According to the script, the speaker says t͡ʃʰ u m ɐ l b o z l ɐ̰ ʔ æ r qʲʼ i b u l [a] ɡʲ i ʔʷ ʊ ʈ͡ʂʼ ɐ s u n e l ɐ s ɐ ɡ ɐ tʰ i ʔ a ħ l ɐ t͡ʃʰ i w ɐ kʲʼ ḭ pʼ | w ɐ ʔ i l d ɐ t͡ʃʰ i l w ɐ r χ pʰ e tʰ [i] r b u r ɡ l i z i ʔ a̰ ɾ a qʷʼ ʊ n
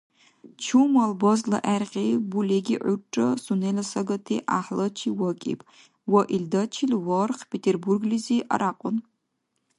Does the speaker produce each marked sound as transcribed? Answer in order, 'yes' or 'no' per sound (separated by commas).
no, no